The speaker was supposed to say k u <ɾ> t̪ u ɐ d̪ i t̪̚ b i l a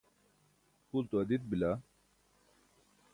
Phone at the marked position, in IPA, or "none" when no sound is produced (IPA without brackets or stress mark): l